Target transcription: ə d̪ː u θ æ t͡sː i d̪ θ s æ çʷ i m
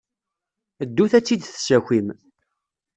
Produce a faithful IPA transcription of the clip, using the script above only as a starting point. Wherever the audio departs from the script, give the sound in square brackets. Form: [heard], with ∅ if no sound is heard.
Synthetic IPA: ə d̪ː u θ æ t͡sː i d̪ θ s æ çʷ i m